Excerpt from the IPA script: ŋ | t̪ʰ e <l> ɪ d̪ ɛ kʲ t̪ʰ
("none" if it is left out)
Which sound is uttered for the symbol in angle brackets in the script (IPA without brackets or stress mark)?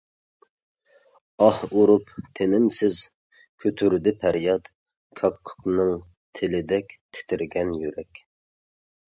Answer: l